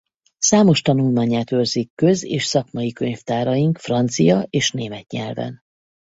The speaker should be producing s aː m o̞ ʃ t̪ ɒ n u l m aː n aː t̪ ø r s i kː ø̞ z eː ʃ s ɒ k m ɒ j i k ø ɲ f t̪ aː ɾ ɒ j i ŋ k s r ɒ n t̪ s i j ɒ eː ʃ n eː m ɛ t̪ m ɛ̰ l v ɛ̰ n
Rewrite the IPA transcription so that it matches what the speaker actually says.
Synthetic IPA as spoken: s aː m o̞ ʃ t̪ ɒ n u l m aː ɲ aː t̪ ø r z i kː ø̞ z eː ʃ s ɒ k m ɒ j i k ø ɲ f t̪ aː ɾ ɒ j i ŋ k f r ɒ n t̪ s i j ɒ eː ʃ n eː m ɛ t̪ ɲ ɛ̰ l v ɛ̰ n